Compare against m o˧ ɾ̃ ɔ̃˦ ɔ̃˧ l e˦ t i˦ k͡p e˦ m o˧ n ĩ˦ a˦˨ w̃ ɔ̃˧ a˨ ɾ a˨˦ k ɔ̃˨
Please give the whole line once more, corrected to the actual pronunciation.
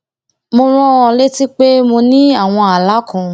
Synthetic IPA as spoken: m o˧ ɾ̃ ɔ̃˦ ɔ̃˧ l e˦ t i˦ k͡p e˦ m o˧ n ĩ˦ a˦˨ w̃ ɔ̃˧ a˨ l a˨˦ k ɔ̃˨

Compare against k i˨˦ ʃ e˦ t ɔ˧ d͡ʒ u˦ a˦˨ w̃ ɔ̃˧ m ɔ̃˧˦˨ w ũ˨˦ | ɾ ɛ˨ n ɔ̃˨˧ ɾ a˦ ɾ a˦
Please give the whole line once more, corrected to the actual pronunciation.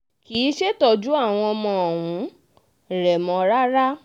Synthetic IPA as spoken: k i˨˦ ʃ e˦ t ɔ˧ d͡ʒ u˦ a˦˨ w̃ ɔ̃˧ m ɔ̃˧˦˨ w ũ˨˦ | ɾ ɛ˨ m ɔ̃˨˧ ɾ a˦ ɾ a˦

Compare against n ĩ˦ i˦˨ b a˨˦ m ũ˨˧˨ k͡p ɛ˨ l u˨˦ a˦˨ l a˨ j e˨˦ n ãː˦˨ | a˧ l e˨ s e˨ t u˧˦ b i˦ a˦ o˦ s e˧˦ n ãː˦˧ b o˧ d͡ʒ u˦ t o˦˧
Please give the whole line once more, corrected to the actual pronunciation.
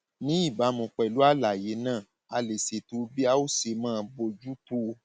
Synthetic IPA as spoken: n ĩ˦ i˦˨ b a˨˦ m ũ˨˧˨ k͡p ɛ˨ l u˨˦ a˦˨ l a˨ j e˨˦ n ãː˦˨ | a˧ l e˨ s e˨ t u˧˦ b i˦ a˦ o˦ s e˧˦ m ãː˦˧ b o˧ d͡ʒ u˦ t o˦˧

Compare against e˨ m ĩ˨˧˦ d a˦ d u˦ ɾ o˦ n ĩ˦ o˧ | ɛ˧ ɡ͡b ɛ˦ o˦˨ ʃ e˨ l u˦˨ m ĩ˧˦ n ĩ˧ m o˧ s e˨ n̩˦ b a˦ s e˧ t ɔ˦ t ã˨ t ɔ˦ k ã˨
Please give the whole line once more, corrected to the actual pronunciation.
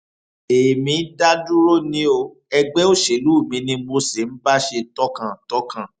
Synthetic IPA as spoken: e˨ m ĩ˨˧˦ d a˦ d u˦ ɾ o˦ n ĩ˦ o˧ | ɛ˧ ɡ͡b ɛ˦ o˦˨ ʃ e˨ l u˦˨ m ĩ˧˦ n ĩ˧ m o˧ s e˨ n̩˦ b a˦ ʃ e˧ t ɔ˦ k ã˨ t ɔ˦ k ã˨

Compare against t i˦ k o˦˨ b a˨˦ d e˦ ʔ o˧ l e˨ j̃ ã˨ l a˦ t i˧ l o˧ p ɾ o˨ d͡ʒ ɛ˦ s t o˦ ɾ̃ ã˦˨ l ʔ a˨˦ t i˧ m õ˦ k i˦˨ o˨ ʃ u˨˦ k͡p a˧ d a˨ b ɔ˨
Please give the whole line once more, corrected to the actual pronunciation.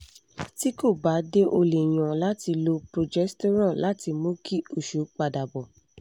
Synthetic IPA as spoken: t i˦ k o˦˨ b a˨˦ d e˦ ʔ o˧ l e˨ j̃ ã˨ l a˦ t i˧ l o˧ p ɾ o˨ d͡ʒ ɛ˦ s t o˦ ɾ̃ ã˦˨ l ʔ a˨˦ t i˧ m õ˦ k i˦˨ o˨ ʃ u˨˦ k͡p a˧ d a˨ b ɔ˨

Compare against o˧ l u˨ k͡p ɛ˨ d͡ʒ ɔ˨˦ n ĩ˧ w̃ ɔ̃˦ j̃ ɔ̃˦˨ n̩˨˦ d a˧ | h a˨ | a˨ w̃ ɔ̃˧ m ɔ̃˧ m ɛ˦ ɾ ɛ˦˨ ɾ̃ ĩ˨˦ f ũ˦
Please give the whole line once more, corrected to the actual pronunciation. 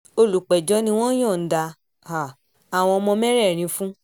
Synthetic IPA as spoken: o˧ l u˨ k͡p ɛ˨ d͡ʒ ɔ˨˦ n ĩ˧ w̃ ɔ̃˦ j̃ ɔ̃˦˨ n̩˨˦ d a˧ | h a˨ | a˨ w̃ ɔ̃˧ m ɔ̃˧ m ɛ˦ ɾ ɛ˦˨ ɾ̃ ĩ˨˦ f ũ˦

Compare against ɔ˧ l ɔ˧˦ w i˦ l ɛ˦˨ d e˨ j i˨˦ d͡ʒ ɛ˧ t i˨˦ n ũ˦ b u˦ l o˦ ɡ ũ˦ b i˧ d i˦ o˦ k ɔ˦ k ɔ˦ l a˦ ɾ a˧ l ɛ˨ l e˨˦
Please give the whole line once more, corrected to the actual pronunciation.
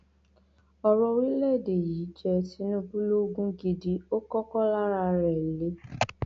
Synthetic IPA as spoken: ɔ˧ ɾ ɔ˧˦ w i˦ l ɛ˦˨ d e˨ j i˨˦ d͡ʒ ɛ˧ t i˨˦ n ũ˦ b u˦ l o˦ ɡ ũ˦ ɡ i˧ d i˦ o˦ k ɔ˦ k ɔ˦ l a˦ ɾ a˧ ɾ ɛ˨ l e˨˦

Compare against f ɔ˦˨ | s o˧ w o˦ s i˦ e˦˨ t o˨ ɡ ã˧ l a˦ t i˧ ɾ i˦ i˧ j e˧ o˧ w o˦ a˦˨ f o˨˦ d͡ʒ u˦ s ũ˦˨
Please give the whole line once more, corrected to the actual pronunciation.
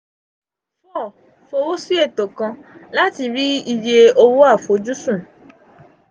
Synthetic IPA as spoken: f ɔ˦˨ | f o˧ w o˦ s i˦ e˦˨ t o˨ k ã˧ l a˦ t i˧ ɾ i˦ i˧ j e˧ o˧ w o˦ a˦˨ f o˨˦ d͡ʒ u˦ s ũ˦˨

